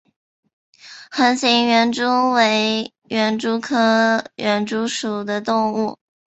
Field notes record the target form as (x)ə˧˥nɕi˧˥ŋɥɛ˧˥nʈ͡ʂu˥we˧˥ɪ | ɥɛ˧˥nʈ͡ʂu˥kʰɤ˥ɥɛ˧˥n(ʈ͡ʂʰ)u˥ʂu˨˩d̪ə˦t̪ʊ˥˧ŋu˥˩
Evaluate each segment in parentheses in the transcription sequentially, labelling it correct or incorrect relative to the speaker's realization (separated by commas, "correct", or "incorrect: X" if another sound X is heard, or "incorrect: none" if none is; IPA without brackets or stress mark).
correct, incorrect: ʈ͡ʂ